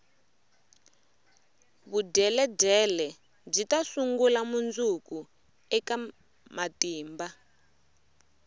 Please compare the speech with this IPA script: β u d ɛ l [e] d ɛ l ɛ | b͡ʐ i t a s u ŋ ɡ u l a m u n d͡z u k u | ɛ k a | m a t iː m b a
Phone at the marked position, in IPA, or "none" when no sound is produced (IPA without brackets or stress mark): ɛ